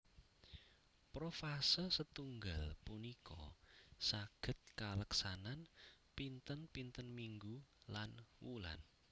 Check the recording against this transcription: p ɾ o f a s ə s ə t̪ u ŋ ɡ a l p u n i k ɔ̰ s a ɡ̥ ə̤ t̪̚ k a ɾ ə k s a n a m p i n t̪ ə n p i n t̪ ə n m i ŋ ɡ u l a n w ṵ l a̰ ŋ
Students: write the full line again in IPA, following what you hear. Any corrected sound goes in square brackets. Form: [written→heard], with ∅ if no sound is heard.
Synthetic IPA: p ɾ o f a s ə s ə t̪ u ŋ ɡ a l p u n i k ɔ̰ s a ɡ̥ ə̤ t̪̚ k a [ɾ→l] ə k s a n a [m→n] p i n t̪ ə n p i n t̪ ə n m i ŋ ɡ u l a n w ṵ l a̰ [ŋ→n]